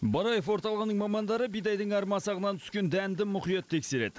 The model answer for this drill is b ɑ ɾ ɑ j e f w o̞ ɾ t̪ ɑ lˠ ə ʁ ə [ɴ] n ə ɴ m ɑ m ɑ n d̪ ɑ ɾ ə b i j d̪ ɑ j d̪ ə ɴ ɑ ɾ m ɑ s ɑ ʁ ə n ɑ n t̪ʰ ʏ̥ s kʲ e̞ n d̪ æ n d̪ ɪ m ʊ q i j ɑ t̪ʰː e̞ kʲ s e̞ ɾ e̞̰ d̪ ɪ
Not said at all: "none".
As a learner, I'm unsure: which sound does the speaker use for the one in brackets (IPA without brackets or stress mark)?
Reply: none